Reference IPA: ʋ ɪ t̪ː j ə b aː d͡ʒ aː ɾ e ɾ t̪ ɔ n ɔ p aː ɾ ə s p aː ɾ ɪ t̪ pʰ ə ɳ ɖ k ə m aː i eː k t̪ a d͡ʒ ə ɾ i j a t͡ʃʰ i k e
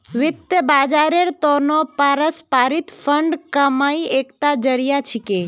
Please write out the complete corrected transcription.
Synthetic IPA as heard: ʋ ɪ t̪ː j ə b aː d͡ʒ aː ɾ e ɾ t̪ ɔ n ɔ p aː ɾ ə s p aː ɾ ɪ t̪ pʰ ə ɳ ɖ k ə m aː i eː k t̪ a d͡ʒ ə ɾ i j a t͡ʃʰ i k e